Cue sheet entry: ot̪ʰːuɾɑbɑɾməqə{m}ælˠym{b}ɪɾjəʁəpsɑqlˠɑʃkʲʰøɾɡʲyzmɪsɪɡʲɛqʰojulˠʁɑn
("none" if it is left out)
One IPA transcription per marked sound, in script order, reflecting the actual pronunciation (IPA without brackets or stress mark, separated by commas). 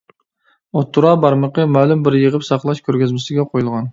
m, b